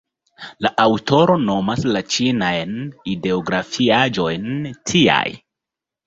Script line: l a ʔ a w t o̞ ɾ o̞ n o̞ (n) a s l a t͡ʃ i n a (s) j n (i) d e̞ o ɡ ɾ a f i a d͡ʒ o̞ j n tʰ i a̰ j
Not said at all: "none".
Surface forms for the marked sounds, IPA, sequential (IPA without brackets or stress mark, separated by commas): m, none, i